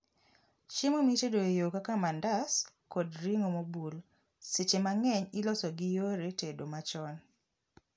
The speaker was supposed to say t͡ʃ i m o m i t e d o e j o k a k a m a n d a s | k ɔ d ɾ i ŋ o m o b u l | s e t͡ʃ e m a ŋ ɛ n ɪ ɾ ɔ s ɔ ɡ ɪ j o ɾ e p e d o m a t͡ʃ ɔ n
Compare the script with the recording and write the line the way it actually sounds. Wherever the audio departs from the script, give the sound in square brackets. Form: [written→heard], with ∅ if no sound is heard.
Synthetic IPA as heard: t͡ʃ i m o m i t e d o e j o k a k a m a n d a s | k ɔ d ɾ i ŋ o m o b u l | s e t͡ʃ e m a ŋ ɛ [n→ɲ] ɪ [ɾ→l] ɔ s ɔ ɡ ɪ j o ɾ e [p→t] e d o m a t͡ʃ ɔ n